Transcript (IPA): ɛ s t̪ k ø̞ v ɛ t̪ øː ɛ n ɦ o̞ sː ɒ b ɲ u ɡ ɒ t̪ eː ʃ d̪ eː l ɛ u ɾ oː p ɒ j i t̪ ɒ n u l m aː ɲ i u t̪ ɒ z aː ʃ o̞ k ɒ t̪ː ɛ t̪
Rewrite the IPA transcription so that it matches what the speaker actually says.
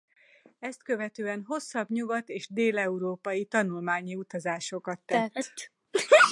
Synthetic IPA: ɛ s t̪ k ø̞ v ɛ t̪ øː ɛ n ɦ o̞ sː ɒ b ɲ u ɡ ɒ t̪ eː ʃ d̪ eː l ɛ u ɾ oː p ɒ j i t̪ ɒ n u l m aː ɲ i u t̪ ɒ z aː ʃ o̞ k ɒ t̪ː ɛ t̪